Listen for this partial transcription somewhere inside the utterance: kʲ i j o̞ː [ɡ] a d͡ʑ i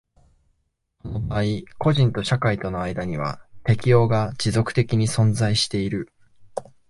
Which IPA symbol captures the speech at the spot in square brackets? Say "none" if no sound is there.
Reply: ɡ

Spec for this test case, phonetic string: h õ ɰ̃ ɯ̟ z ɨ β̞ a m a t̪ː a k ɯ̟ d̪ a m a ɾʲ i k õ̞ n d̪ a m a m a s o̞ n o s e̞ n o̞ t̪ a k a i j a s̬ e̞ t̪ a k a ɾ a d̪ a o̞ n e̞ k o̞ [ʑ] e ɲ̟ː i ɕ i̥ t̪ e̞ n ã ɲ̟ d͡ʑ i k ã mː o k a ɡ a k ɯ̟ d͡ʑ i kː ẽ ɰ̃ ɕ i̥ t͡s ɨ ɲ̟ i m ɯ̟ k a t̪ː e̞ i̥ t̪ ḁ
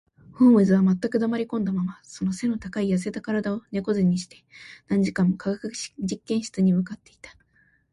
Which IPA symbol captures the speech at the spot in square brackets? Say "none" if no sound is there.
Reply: z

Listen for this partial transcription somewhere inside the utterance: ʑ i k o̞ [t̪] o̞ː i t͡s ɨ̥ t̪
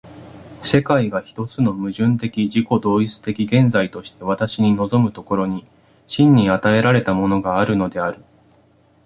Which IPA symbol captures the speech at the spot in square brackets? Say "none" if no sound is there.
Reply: d̪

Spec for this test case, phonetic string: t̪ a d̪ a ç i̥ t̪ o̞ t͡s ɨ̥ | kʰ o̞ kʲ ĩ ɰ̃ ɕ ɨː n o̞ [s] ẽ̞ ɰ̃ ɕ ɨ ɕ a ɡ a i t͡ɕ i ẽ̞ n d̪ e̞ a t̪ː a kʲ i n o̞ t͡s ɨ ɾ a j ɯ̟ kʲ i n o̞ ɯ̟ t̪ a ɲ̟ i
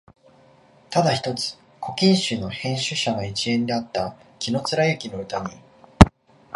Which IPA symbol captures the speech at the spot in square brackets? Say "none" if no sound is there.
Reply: h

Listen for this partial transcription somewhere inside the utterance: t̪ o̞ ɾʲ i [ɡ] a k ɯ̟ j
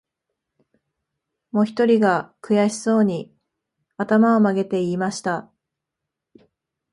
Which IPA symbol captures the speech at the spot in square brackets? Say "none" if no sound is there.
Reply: ɡ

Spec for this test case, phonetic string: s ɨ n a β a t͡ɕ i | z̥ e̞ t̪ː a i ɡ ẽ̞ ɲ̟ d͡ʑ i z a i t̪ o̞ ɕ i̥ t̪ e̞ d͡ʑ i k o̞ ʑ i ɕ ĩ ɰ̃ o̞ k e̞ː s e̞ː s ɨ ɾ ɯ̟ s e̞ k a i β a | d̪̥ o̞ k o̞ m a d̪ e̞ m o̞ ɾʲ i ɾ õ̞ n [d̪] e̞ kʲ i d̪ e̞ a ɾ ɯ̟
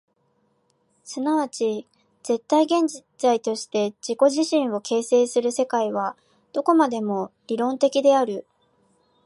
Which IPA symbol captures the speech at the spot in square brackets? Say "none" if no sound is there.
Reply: t̪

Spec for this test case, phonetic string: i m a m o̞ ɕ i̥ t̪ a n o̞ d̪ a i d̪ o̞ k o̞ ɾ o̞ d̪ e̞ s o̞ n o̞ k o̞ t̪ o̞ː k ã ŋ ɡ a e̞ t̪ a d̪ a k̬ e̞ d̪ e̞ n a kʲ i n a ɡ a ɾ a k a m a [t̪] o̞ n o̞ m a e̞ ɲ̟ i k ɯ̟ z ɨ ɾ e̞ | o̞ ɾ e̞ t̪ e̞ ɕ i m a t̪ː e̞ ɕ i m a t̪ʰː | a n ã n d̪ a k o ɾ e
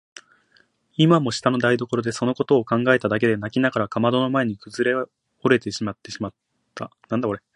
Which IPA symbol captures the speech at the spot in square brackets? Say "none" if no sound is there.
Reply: d̪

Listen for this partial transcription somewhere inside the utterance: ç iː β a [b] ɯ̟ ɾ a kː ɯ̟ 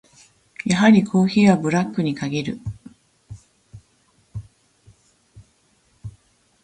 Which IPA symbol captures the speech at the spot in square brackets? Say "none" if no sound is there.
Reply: b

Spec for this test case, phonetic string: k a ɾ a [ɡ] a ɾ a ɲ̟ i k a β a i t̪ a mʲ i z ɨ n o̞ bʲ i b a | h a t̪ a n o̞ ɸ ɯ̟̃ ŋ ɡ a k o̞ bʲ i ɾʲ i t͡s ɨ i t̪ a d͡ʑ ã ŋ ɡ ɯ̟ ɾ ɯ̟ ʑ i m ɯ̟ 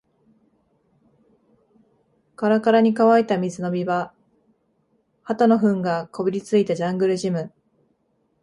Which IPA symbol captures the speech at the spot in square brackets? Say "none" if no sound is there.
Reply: k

